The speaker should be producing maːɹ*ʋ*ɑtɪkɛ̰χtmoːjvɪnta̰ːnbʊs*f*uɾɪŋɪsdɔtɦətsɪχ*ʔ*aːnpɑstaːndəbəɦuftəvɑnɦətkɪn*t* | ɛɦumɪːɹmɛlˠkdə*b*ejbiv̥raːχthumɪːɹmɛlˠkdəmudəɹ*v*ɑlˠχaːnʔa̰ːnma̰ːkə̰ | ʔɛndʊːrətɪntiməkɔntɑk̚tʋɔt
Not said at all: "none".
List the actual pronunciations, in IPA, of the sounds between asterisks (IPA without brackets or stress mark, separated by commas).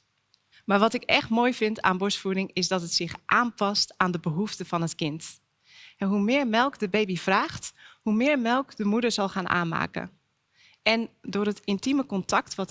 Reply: ʋ, f, ʔ, t, b, z